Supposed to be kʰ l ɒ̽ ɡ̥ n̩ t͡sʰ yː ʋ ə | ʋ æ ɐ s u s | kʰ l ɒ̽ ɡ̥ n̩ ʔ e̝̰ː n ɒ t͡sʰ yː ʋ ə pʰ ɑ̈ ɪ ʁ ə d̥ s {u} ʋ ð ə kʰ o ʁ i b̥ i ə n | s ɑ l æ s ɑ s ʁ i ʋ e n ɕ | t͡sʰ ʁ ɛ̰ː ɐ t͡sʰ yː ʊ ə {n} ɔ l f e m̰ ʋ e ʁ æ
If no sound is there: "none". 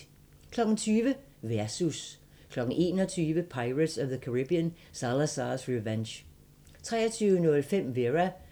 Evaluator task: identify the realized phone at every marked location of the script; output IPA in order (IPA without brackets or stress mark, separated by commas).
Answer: ɒ, n